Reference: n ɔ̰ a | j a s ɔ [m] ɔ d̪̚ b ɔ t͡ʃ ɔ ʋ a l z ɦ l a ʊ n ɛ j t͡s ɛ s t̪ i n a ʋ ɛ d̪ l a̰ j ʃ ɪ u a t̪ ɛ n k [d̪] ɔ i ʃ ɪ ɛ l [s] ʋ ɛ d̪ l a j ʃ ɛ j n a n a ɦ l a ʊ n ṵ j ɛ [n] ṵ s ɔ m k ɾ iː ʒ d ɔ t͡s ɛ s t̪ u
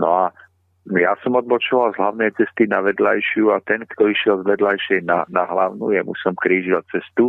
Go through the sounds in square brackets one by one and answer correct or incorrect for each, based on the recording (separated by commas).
correct, incorrect, incorrect, incorrect